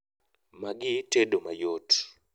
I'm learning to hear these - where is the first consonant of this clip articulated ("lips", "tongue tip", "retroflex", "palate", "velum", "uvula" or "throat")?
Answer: lips